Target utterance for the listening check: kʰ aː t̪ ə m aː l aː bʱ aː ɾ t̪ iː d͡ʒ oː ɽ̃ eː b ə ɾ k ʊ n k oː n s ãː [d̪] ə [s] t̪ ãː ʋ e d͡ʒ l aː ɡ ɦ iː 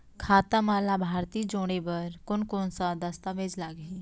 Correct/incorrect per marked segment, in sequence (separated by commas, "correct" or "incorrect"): correct, correct